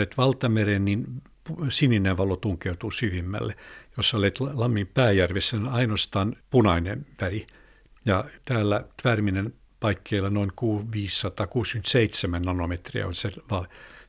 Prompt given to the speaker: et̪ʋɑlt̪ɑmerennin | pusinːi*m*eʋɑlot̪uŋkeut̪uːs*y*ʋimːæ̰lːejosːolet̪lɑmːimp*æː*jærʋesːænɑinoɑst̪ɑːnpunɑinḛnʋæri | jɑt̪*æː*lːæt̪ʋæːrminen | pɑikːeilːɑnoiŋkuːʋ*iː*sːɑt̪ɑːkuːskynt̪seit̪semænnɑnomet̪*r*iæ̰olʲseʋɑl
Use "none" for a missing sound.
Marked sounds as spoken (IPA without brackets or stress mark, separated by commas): n, y, æː, æː, iː, r